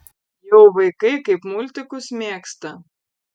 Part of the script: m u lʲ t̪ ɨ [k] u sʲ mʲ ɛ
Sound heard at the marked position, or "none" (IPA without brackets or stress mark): k